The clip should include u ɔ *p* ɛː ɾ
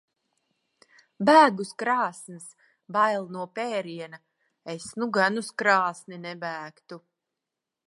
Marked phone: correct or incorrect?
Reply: correct